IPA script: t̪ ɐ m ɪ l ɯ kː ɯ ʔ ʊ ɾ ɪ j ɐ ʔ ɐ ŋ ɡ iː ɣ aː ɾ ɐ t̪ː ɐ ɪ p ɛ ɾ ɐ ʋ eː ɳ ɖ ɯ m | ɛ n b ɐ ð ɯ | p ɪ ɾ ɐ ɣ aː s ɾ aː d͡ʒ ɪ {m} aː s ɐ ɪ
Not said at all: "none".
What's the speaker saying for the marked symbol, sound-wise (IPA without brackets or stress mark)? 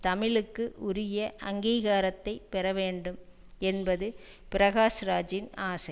n